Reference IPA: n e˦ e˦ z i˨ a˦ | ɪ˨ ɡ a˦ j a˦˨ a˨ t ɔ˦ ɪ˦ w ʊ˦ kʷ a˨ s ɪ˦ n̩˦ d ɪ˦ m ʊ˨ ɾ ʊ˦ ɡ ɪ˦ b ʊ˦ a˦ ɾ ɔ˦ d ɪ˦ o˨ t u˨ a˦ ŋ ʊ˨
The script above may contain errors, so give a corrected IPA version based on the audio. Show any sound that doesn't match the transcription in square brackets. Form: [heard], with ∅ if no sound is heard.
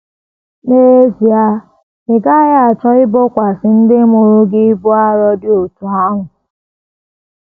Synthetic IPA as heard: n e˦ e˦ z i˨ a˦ | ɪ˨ ɡ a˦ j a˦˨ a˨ [t͡ʃ] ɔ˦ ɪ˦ [b] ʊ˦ kʷ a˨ s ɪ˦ n̩˦ d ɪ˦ m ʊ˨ ɾ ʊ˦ ɡ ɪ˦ b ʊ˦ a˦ ɾ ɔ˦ d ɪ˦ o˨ t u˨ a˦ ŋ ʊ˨